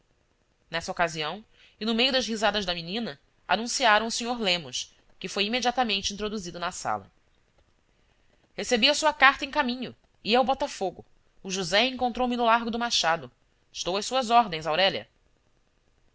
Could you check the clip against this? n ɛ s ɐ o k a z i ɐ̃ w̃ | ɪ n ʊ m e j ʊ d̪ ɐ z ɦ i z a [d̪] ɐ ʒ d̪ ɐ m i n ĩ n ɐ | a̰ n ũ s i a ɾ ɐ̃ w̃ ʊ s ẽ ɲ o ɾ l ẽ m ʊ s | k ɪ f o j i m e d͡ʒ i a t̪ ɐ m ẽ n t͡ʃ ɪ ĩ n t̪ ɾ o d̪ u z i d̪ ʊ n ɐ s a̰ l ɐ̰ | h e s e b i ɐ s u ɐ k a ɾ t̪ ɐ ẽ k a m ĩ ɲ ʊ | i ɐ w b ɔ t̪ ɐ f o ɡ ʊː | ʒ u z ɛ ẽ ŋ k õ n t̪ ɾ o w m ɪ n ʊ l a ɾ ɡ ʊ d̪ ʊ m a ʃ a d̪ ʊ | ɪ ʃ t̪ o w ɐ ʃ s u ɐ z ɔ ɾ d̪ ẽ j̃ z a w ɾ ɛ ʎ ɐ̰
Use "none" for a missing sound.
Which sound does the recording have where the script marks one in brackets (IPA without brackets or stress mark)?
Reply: d̪